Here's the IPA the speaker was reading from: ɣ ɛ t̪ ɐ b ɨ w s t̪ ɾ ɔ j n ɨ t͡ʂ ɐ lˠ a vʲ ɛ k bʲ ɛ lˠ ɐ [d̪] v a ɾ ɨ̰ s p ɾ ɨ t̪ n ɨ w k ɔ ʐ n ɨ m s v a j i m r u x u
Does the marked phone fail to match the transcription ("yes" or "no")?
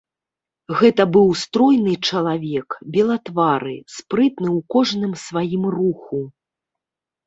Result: yes